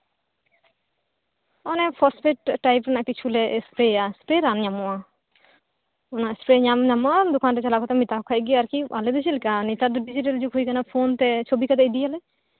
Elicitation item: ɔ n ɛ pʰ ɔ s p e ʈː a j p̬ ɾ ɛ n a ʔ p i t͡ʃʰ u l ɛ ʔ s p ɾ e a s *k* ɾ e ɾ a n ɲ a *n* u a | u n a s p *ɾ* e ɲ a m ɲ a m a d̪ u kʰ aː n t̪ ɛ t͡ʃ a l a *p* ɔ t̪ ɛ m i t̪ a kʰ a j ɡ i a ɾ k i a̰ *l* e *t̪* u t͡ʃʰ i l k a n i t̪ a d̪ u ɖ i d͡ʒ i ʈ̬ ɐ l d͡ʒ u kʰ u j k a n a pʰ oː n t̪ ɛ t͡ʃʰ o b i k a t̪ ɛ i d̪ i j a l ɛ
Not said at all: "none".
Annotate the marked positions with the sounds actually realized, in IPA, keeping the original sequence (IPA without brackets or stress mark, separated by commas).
p, m, ɾ, k, l, d̪